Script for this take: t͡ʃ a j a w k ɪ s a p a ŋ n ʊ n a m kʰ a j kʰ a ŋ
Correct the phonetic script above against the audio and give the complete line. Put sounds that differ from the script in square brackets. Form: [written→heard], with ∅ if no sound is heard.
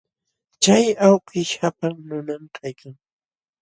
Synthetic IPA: t͡ʃ a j a w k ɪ [s→ʃ] a p a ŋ n ʊ n a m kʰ a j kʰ a ŋ